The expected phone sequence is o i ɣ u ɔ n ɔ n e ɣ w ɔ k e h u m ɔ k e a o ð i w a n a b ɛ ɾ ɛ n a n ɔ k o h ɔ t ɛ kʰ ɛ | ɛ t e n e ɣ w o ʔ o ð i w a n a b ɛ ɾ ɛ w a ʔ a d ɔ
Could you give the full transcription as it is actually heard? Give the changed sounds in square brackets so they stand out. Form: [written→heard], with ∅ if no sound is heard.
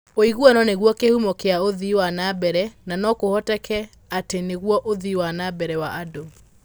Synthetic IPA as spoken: o i ɣ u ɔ n ɔ n e ɣ w ɔ k e h u m ɔ k e a o ð i w a n a b ɛ ɾ ɛ n a n ɔ k o h ɔ t ɛ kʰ ɛ | [ɛ→a] t e n e ɣ w [o→ɔ] ʔ o ð i w a n a b ɛ ɾ ɛ w a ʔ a d [ɔ→o]

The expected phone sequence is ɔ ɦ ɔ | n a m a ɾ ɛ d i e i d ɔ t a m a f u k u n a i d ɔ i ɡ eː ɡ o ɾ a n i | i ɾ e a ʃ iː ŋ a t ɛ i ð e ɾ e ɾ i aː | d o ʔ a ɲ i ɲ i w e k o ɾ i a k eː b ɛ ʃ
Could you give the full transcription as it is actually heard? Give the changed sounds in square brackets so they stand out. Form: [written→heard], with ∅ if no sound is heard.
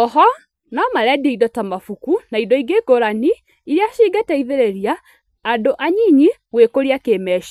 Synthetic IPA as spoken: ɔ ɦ ɔ | n a m a ɾ ɛ d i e i d ɔ t a m a f u k u n a i d ɔ i ɡ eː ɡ o ɾ a n i | i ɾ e a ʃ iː [ŋ→ɡ] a t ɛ i ð e ɾ e ɾ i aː | d o ʔ a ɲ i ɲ i w e k o ɾ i a k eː [b→m] ɛ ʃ

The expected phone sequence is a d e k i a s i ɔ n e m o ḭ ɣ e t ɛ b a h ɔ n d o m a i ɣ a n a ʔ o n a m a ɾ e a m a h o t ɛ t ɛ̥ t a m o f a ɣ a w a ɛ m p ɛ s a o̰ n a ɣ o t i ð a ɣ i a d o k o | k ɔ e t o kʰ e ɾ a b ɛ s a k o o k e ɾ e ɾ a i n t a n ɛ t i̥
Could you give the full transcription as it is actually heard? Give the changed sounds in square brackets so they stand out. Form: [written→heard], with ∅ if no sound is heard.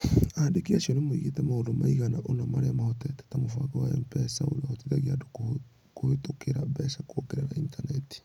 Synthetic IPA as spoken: a d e k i a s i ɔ n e m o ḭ ɣ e t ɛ [b→m] a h [ɔ→o] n d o m a i ɣ a n a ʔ o n a m a ɾ e a m a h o t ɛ t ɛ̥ t a m o f a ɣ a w a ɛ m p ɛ s a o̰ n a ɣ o t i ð a ɣ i a d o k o | k [ɔ→o] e t o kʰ e ɾ a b ɛ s a k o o k e ɾ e ɾ a i n t a n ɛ t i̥

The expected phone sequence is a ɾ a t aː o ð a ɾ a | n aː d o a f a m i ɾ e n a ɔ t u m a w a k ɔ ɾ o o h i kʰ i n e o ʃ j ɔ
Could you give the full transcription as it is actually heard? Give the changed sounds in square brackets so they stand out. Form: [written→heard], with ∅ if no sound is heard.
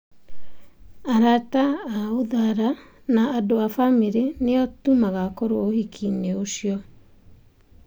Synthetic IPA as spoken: a ɾ a t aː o ð a ɾ a | n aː d o a f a m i ɾ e n [a→e] ɔ t u m a [w→ɣ] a k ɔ ɾ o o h i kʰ i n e o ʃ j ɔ

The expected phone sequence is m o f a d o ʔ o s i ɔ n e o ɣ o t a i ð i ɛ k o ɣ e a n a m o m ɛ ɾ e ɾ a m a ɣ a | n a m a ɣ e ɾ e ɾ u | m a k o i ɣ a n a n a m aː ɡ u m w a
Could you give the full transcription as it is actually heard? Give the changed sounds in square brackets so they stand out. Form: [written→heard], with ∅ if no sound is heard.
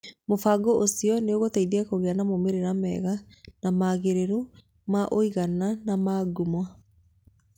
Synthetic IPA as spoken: m o f a [d→ɡ] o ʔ o s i ɔ n e o ɣ o t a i ð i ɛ k o ɣ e a n a m o m [ɛ→e] ɾ e ɾ a m [a→ɛ] ɣ a | n a m a ɣ e ɾ e ɾ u | m a [k→ʔ] o i ɣ a n a n a m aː ɡ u m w a

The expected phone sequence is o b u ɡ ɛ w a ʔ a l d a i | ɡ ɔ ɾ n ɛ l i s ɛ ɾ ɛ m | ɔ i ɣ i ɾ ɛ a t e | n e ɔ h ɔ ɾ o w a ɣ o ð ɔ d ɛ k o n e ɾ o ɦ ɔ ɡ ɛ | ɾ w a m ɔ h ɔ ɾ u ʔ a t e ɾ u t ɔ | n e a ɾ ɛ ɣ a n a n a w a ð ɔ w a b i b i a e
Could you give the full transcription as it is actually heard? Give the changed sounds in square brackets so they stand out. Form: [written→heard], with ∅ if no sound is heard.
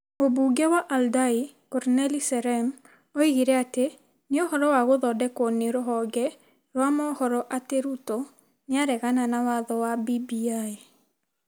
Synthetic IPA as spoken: o b u ɡ ɛ w a ʔ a l d a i | [ɡ→k] ɔ ɾ n ɛ l i s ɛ ɾ ɛ m | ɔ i ɣ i ɾ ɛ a t e | n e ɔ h ɔ ɾ [o→ɔ] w a ɣ o ð ɔ d ɛ k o n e ɾ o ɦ ɔ ɡ ɛ | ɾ w a m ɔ h ɔ ɾ [u→ɔ] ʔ a t e ɾ u t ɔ | n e a ɾ ɛ ɣ a n a n a w a ð ɔ w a b i b i a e

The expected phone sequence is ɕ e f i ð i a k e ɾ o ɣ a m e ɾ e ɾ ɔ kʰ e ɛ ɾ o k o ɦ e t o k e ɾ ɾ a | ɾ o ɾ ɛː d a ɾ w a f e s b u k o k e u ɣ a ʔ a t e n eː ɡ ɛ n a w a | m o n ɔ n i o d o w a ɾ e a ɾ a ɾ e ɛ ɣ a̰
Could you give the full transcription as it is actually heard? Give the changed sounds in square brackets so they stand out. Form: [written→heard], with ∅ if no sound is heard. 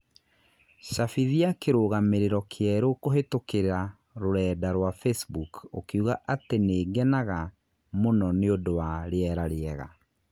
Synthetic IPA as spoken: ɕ [e→a] f i ð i a k e ɾ o ɣ a m e ɾ e ɾ ɔ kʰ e ɛ ɾ o k o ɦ e t o k e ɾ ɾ a | ɾ o ɾ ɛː d a ɾ w a f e s b u k o k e u ɣ a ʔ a t e n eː ɡ ɛ n a [w→ɣ] a | m o n ɔ n [i→e] o d o w a ɾ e [a→ɛ] ɾ a ɾ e ɛ ɣ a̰

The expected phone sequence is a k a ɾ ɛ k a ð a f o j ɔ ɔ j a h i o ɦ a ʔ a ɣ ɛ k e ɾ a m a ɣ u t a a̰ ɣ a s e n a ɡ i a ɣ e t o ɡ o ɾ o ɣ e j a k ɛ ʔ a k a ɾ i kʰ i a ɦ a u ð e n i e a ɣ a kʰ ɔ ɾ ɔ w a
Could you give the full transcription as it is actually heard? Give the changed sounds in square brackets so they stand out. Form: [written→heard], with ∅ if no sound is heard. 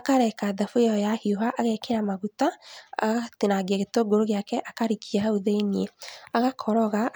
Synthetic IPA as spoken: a k a ɾ ɛ k a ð a f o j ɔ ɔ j a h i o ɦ a ʔ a ɣ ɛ k e ɾ a m a ɣ u t a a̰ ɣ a [s→t] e n a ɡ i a ɣ e t o ɡ o ɾ o ɣ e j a k ɛ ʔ a k a ɾ i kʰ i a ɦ a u ð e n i e a ɣ a kʰ ɔ ɾ ɔ [w→ɣ] a

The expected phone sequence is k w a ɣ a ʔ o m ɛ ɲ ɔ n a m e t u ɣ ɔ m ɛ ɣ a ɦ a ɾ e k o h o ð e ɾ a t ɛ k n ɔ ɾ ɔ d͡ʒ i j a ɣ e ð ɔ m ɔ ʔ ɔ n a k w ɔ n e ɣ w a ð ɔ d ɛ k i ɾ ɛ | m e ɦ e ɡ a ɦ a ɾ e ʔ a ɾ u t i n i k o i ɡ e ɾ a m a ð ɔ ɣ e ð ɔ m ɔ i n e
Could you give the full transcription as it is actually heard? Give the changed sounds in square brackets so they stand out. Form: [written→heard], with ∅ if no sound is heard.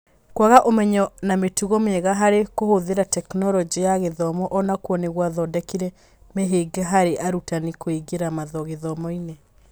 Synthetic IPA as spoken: k w a ɣ a ʔ o m ɛ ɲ ɔ n a m e t u ɣ ɔ m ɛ ɣ a ɦ a ɾ e k o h o ð e ɾ a t ɛ k n ɔ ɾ ɔ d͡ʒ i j a ɣ e ð ɔ m ɔ ʔ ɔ n a k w ɔ n e ɣ w a ð ɔ d ɛ k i ɾ ɛ | m e ɦ e ɡ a ɦ a ɾ e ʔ a ɾ u t [i→a] n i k o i ɡ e ɾ a m a ð ɔ ɣ e ð ɔ m ɔ i n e

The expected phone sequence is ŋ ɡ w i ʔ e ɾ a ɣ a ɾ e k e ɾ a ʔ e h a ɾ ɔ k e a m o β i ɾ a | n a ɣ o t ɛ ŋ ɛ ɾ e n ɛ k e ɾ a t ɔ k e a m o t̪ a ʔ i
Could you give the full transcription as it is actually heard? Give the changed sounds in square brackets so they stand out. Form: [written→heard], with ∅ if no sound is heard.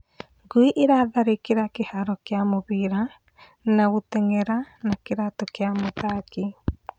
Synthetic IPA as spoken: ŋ ɡ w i ʔ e ɾ a [ɣ→ð] a ɾ e k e ɾ a [ʔ→k] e h a ɾ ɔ k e a m o β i ɾ a | n a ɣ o t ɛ ŋ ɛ ɾ [e→a] n [ɛ→a] k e ɾ a t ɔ k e a m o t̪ a [ʔ→k] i

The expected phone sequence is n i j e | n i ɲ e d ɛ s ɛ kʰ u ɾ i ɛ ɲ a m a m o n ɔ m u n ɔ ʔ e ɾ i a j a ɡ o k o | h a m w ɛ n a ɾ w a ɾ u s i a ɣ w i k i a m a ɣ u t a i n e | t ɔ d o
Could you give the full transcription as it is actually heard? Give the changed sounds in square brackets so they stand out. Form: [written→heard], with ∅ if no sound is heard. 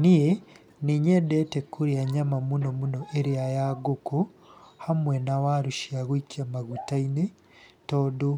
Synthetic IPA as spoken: n i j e | n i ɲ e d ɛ [s→t] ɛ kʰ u ɾ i [ɛ→a] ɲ a m a m [o→u] n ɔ m u n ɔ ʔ e ɾ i a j a ɡ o k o | h a m w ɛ n a [ɾ→∅] w a ɾ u [s→ʃ] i a ɣ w i k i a m a ɣ u t a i n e | t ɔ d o

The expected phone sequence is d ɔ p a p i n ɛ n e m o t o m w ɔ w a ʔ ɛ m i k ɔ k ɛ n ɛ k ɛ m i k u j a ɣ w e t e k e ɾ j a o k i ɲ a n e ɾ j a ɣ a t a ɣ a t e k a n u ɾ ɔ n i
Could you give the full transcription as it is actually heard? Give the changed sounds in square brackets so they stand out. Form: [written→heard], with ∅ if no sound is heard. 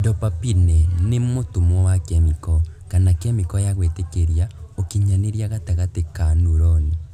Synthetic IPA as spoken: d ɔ p a p i n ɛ n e m o t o m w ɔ w a [ʔ→k] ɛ m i k ɔ k [ɛ→a] n [ɛ→a] k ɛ m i k [u→ɔ] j a ɣ w e t e k e ɾ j a o k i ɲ a n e ɾ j a ɣ a t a ɣ a t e k a n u ɾ ɔ n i

